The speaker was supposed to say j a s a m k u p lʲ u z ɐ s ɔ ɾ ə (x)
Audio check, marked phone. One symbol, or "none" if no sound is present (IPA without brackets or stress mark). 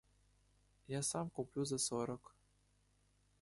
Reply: k